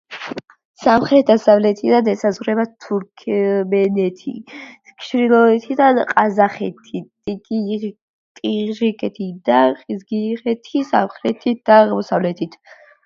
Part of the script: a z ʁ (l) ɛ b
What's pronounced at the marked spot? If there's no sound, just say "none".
ɾ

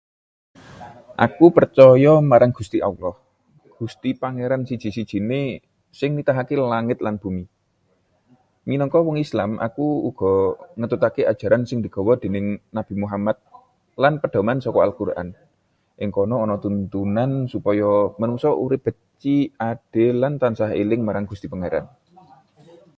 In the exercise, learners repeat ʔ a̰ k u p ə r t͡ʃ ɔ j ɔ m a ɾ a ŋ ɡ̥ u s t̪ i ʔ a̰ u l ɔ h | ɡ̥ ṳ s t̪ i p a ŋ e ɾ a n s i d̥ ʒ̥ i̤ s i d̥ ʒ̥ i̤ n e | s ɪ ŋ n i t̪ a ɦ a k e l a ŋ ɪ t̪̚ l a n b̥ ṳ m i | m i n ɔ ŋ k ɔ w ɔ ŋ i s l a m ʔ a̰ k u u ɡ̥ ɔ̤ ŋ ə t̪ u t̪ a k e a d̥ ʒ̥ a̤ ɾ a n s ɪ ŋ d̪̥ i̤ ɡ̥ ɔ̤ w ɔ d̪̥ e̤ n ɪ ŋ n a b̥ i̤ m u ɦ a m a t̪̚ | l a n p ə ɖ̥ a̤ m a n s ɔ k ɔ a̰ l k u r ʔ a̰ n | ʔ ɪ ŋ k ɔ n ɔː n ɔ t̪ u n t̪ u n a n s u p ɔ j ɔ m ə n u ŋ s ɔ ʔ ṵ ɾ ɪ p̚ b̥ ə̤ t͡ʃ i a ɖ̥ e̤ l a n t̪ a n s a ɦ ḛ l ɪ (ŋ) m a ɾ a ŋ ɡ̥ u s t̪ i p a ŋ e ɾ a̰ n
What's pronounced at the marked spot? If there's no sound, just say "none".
ŋ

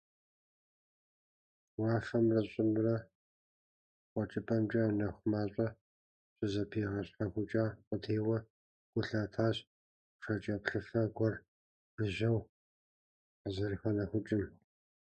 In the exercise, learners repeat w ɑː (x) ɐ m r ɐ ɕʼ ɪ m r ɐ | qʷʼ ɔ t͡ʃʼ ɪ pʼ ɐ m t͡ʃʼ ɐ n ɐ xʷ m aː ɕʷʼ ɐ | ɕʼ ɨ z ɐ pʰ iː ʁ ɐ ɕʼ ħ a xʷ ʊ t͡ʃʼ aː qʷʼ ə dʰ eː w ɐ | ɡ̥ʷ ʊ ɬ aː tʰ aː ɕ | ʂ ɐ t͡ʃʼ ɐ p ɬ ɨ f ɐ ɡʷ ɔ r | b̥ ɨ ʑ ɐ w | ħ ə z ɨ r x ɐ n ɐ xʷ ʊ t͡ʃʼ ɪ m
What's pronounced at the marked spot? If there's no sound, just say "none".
f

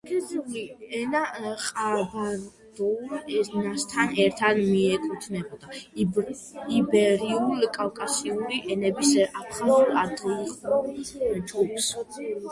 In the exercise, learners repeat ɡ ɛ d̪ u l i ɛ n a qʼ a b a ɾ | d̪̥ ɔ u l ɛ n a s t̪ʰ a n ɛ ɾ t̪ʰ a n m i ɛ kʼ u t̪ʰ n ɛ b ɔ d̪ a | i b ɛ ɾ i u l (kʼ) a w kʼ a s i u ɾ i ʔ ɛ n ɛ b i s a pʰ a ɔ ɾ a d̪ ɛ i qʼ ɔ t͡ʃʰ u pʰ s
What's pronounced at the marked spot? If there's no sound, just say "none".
kʼ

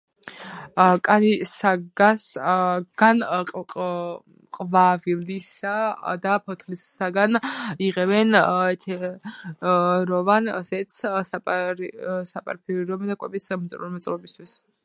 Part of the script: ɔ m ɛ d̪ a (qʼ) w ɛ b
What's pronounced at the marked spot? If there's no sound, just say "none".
kʼ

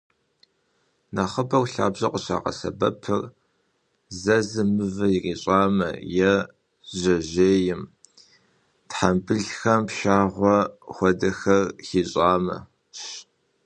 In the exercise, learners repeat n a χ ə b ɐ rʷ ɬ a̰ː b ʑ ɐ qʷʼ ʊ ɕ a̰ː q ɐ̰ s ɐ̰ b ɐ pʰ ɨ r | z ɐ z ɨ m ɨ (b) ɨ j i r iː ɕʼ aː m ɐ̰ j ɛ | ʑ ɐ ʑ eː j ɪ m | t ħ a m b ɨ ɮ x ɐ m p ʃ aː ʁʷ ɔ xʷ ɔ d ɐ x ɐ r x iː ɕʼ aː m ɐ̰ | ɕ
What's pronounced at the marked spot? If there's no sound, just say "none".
v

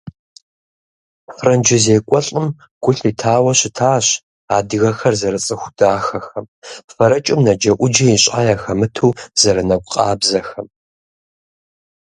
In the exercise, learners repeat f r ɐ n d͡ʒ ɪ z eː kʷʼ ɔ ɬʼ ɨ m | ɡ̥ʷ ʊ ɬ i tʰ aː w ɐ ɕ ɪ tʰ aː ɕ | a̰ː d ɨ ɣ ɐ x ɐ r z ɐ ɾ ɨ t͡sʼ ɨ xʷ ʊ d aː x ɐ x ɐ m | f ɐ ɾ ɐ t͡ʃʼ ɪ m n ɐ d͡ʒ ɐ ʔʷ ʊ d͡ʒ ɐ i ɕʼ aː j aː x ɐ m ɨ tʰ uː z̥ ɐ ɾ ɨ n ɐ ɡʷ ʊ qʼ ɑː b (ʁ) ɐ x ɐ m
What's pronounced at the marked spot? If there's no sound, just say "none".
z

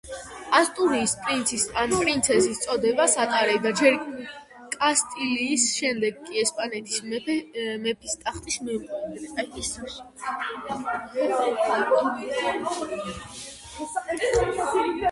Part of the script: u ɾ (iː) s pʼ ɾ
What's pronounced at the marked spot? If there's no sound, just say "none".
iː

